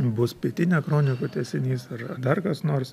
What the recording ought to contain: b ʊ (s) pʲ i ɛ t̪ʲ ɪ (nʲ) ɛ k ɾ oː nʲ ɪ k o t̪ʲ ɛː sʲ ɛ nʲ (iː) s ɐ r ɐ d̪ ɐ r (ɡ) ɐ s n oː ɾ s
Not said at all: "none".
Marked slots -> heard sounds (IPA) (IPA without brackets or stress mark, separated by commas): s, nʲ, iː, k